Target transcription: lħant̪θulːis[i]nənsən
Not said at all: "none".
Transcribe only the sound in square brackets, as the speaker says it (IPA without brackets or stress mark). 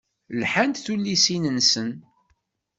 i